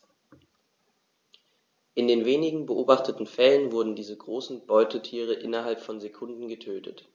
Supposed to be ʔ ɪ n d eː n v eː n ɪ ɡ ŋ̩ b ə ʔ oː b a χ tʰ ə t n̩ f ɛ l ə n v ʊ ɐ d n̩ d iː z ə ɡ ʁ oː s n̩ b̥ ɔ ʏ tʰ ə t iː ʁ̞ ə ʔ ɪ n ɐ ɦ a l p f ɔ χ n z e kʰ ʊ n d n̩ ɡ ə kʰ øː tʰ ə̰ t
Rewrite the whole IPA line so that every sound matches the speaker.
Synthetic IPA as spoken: ʔ ɪ n d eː n v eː n ɪ ɡ ŋ̩ b ə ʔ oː b a χ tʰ ə t n̩ f ɛ l ə n v ʊ ɐ d n̩ d iː z ə ɡ ʁ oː s n̩ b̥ ɔ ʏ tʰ ə tʰ iː ʁ̞ ə ʔ ɪ n ɐ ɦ a l p f ɔ n z e kʰ ʊ n d n̩ ɡ ə tʰ øː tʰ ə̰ t